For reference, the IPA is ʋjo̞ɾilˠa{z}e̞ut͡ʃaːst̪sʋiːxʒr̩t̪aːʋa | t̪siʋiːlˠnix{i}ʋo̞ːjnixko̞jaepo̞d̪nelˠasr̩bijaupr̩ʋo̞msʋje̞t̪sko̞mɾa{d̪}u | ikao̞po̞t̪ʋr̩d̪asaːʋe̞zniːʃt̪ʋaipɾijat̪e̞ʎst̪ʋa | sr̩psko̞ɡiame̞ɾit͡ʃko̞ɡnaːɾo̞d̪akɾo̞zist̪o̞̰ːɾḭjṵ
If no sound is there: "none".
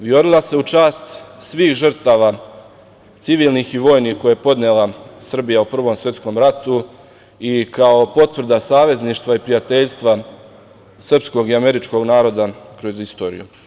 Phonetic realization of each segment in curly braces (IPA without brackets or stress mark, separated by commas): s, i, t̪